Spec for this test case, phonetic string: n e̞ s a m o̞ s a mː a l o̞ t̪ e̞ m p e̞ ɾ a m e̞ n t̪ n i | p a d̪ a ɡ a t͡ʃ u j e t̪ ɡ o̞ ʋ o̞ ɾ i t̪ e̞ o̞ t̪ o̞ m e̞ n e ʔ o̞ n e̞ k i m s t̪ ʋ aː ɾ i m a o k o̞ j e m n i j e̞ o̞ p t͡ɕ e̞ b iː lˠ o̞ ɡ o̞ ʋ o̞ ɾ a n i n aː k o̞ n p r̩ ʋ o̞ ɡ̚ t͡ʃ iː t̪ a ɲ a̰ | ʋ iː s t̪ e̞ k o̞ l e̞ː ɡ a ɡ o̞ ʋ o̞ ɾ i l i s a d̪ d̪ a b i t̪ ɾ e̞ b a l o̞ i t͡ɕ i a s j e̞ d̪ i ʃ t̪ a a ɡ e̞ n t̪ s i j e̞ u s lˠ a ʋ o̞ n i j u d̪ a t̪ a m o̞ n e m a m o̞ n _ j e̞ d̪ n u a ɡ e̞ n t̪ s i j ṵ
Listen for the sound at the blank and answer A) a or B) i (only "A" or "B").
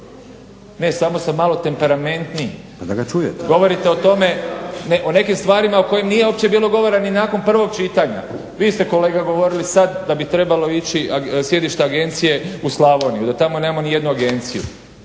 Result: B